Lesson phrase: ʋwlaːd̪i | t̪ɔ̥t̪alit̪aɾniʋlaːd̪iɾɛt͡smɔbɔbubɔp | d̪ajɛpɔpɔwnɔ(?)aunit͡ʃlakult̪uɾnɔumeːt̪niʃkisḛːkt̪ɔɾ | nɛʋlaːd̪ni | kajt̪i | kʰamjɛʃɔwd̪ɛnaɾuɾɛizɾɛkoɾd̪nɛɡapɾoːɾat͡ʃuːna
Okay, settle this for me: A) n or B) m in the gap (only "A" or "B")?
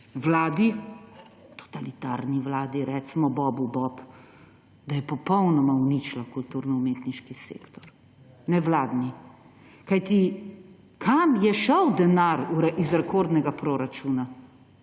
B